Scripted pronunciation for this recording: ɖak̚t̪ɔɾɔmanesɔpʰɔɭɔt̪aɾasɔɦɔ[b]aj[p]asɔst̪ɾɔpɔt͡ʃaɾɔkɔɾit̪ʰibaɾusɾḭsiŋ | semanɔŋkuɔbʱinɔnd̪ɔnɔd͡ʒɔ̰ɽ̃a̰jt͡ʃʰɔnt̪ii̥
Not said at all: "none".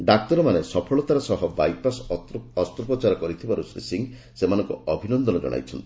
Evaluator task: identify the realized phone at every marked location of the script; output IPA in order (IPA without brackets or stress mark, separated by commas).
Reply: b, p